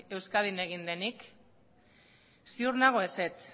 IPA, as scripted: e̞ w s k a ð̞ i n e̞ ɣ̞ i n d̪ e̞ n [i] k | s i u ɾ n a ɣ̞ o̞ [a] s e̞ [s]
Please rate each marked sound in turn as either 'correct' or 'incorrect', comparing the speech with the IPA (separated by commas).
correct, incorrect, incorrect